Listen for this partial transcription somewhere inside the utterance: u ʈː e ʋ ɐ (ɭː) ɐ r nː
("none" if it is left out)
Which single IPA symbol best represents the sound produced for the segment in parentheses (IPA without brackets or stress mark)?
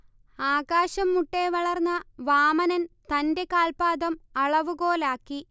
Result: ɭ